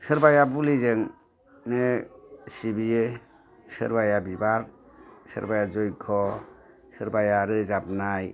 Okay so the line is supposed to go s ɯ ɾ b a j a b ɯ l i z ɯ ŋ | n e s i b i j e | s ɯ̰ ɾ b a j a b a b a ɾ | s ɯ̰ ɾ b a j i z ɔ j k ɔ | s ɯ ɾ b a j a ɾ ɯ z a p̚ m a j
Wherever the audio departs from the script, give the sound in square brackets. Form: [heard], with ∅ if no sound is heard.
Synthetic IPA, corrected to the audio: s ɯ ɾ b a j a b [u] l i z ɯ ŋ | n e s i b i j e | s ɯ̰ ɾ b a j a b [i] b a ɾ | s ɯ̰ ɾ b a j [a] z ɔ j [kʰ] ɔ | s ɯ ɾ b a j a ɾ ɯ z a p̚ [n] a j